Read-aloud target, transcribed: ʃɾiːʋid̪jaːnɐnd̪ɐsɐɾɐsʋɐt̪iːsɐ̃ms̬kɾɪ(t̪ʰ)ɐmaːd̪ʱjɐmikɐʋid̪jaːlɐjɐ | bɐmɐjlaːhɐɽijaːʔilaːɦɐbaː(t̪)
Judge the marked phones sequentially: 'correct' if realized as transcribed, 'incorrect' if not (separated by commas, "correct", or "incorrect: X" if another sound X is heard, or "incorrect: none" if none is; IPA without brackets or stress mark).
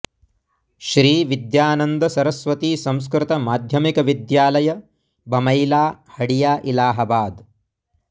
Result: incorrect: t̪, incorrect: d̪